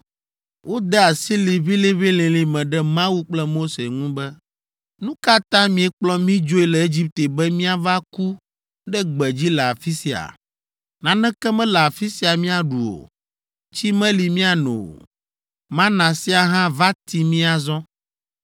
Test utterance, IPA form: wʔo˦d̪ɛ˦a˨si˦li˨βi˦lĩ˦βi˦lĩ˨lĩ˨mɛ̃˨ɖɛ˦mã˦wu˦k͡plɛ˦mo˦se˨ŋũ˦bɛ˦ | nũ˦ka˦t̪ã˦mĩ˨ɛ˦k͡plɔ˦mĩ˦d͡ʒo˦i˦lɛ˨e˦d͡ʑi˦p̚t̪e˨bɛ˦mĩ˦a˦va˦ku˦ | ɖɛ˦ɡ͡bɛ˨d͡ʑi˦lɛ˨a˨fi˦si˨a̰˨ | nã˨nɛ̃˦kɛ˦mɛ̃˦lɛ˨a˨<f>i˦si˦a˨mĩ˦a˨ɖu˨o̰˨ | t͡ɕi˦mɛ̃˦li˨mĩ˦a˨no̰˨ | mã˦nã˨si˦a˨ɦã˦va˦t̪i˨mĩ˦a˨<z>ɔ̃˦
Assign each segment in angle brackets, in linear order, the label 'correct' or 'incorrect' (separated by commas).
correct, correct